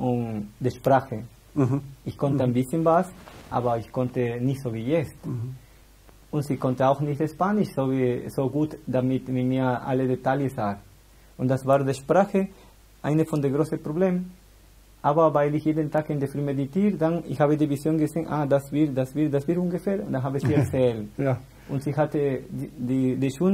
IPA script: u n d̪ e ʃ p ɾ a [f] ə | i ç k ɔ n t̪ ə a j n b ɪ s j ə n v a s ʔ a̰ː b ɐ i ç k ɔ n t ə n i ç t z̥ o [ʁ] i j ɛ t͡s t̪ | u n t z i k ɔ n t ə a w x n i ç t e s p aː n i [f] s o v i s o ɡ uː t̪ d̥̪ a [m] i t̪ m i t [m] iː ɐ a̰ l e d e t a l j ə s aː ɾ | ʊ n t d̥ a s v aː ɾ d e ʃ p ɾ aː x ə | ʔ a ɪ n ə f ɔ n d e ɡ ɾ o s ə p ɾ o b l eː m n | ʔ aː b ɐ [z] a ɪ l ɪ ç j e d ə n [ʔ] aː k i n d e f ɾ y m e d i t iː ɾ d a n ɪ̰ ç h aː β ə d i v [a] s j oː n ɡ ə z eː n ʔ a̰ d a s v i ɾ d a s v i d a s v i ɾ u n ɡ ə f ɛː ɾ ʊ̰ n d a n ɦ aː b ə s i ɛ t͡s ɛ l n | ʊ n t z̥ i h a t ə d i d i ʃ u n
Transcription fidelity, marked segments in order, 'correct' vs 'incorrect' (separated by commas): incorrect, incorrect, incorrect, correct, correct, incorrect, incorrect, incorrect